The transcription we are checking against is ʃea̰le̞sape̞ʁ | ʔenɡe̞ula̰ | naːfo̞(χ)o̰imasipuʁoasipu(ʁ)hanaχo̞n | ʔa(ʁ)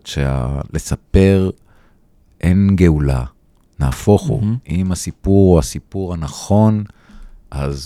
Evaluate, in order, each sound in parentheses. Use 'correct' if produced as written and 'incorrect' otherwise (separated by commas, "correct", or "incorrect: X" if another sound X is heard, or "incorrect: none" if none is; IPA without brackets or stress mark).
correct, correct, incorrect: z